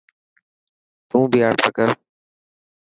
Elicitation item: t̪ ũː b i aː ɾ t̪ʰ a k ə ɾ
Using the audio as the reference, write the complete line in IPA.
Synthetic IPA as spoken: t̪ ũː b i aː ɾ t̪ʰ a k ə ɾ